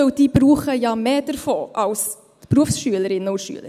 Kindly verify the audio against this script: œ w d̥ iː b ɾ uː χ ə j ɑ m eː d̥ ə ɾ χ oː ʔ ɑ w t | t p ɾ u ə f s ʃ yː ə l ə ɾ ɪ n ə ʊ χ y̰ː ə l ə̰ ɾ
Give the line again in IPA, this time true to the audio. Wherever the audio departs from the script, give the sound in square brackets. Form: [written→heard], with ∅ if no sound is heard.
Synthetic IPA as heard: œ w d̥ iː b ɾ uː χ ə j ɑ m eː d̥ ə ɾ [χ→f] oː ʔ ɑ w [t→s] | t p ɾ u ə f s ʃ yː ə l ə ɾ ɪ n ə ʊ [χ→ʃ] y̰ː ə l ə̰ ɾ